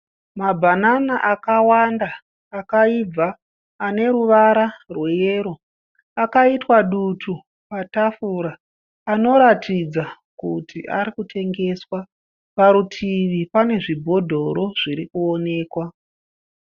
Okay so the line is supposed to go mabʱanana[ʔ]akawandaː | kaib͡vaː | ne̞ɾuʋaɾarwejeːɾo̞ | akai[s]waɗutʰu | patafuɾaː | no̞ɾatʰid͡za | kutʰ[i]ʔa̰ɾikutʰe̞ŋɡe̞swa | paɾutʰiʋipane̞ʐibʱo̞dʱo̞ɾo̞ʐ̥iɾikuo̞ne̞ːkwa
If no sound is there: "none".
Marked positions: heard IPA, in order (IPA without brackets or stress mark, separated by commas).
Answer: ʔ, t, i